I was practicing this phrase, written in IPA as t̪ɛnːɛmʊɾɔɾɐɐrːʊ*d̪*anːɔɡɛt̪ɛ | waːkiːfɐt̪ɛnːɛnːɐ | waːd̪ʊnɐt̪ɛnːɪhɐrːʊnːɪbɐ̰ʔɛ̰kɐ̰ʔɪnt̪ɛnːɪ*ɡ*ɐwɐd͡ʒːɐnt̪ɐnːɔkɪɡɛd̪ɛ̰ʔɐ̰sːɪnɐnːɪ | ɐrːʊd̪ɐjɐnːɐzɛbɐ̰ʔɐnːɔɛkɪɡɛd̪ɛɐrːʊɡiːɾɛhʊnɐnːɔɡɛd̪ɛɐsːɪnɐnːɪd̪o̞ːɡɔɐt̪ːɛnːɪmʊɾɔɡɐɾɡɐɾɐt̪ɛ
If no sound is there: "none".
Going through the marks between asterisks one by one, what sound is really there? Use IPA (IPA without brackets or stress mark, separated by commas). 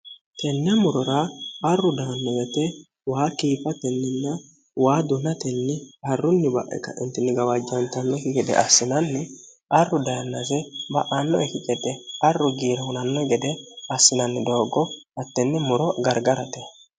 d̪, ɡ